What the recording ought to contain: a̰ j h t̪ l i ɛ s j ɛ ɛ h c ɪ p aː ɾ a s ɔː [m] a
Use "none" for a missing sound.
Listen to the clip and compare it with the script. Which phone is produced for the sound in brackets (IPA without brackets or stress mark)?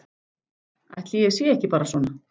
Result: n